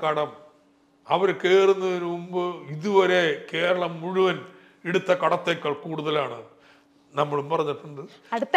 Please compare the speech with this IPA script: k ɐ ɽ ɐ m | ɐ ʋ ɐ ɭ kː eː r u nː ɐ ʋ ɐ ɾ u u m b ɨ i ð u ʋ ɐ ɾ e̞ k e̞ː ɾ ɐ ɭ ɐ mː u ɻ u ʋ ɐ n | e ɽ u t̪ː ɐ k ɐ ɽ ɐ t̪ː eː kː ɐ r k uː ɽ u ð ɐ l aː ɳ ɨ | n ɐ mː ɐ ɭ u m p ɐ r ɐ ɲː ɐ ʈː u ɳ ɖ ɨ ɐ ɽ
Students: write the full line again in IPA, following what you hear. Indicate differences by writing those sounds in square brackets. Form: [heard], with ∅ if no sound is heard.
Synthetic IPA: k ɐ ɽ ɐ m | ɐ ʋ ɐ [ɾ] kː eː r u nː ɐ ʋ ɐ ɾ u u m b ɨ i ð u ʋ ɐ ɾ e̞ k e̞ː ɾ ɐ ɭ ɐ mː u ɻ u ʋ ɐ n | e ɽ u t̪ː ɐ k ɐ ɽ ɐ t̪ː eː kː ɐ [ɭ] k uː ɽ u ð ɐ l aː ɳ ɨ | n ɐ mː ɐ ɭ u m p ɐ r ɐ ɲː ɐ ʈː u ɳ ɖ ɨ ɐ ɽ